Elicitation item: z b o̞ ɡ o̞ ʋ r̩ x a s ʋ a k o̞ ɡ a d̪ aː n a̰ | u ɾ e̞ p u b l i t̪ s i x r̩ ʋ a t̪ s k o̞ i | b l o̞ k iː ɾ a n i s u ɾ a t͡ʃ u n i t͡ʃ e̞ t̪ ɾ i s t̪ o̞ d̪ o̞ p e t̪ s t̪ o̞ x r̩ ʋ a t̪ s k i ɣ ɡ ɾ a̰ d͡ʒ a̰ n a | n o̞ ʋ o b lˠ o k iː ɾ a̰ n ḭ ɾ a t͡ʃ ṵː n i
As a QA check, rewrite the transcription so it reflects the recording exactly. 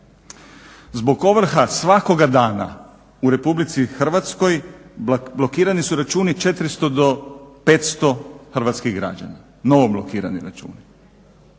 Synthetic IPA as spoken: z b o̞ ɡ o̞ ʋ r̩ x a s ʋ a k o̞ ɡ a d̪ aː n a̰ | u ɾ e̞ p u b l i t̪ s i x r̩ ʋ a t̪ s k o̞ j | b l o̞ k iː ɾ a n i s u ɾ a t͡ʃ uː n i t͡ʃ e̞ t̪ ɾ i s t̪ o̞ d̪ o̞ p e t̪ s t̪ o̞ x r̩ ʋ a t̪ s k i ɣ ɡ ɾ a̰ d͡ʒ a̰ n a | n o̞ ʋ o b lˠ o k iː ɾ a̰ n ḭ ɾ a t͡ʃ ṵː n i